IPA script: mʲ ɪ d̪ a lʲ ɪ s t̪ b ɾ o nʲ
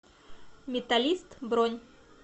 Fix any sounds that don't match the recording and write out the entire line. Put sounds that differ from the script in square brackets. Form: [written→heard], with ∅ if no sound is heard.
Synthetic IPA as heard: mʲ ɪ [d̪→t̪] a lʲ [ɪ→i] s t̪ b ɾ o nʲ